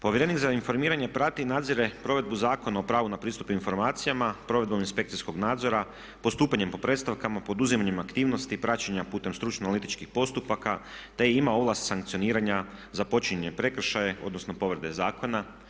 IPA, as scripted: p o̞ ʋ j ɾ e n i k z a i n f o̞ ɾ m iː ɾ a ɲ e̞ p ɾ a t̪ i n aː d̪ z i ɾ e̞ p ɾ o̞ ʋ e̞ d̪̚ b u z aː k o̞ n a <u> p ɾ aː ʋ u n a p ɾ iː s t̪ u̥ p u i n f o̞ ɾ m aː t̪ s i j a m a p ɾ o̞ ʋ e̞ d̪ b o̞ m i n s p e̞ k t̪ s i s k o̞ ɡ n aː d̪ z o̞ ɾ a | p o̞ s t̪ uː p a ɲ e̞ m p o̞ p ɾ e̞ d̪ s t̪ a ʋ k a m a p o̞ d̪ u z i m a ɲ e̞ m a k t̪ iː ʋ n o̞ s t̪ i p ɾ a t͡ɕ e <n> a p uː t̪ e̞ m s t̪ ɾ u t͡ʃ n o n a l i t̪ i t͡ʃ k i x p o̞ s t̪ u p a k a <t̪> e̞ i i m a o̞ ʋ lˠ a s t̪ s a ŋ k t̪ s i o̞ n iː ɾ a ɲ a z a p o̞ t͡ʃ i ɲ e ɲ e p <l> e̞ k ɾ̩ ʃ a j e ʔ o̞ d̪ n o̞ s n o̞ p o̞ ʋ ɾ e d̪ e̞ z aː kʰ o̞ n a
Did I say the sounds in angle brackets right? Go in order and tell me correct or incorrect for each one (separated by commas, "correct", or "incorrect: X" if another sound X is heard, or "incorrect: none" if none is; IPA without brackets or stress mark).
incorrect: o, incorrect: ɲ, correct, incorrect: ɾ